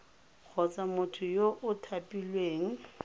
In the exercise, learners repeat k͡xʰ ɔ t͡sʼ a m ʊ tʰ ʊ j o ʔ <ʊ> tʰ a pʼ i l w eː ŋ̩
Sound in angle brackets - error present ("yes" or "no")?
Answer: no